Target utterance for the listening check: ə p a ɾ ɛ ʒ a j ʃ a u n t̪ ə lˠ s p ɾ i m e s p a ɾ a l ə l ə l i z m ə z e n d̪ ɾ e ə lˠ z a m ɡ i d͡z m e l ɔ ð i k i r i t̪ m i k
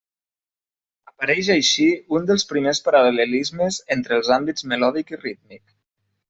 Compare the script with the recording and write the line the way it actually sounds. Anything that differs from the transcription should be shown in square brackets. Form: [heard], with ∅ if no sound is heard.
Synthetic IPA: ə p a ɾ ɛ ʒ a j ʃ [i] u n [d̪] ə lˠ s p ɾ i m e s p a ɾ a l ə l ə l i z m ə z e n [t̪] ɾ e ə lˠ z a m [b] i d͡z m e l ɔ ð i k i r i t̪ m i k